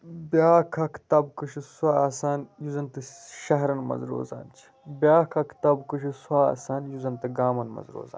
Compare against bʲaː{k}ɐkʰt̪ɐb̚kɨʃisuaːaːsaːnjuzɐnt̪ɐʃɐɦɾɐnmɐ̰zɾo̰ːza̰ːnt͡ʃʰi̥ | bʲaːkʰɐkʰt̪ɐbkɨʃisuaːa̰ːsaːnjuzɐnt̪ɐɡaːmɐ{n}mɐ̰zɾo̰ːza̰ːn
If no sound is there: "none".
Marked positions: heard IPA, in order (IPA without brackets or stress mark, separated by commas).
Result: kʰ, n